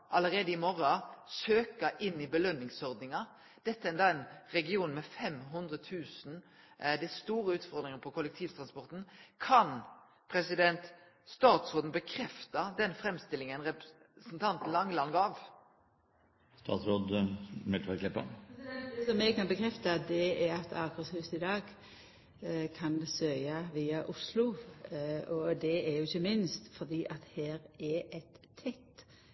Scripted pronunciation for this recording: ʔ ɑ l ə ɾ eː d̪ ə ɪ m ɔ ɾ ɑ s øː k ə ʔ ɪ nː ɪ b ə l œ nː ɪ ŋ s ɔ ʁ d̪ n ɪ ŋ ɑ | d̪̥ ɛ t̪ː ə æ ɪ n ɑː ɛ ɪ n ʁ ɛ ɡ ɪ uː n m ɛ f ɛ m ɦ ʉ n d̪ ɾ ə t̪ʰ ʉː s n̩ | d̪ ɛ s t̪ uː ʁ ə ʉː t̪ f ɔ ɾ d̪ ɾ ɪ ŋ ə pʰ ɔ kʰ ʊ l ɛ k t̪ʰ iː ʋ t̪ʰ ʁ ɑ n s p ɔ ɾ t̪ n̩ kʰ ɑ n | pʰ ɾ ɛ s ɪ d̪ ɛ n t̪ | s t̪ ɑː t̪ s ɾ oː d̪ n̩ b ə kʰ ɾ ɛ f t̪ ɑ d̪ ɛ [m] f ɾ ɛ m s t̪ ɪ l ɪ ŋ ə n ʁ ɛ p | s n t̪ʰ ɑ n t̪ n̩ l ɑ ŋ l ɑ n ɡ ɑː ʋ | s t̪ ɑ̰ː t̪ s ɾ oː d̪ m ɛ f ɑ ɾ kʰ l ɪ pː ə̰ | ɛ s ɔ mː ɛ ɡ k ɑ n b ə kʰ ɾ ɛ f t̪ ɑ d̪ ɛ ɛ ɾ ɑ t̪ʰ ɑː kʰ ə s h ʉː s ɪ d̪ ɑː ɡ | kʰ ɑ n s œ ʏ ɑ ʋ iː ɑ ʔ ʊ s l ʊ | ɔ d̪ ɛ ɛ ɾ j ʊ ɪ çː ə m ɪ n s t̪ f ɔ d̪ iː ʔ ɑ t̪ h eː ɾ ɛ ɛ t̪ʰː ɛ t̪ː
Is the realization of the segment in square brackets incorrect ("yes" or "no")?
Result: yes